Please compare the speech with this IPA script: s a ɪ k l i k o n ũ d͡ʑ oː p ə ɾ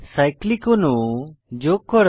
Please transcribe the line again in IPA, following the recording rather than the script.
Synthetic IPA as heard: s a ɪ k l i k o n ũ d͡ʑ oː k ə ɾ